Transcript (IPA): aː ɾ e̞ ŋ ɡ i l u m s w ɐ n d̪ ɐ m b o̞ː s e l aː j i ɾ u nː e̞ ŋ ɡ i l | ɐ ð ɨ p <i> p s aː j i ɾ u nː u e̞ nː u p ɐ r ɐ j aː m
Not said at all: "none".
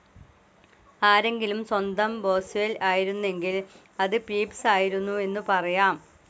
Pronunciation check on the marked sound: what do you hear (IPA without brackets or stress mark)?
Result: iː